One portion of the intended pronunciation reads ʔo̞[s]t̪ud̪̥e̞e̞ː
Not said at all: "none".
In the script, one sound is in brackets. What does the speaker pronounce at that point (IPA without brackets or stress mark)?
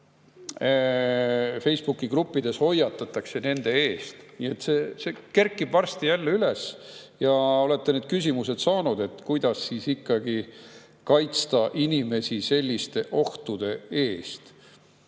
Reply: h